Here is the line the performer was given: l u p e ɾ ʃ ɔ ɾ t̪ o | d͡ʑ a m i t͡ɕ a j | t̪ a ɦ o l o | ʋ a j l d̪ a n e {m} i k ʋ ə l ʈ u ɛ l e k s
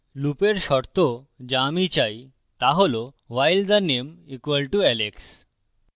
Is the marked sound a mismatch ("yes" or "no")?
no